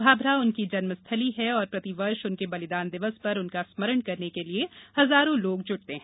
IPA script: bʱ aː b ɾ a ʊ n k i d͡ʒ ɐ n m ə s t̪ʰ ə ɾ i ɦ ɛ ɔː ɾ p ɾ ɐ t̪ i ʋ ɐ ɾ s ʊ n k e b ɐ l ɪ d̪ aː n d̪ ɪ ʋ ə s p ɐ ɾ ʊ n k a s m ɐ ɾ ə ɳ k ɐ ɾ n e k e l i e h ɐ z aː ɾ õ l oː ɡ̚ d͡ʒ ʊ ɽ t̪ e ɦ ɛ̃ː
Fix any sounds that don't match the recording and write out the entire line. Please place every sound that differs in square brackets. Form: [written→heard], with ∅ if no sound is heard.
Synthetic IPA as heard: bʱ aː b ɾ a ʊ n k i d͡ʒ ɐ n m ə s t̪ʰ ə [ɾ→l] i ɦ ɛ ɔː ɾ p ɾ ɐ t̪ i ʋ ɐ ɾ [s→ʃ] ʊ n k e b ɐ l ɪ d̪ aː n d̪ ɪ ʋ ə s p ɐ ɾ ʊ n k a s m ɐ ɾ ə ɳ k ɐ ɾ n e k e l i e h ɐ z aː ɾ õ l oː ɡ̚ d͡ʒ ʊ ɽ t̪ e ɦ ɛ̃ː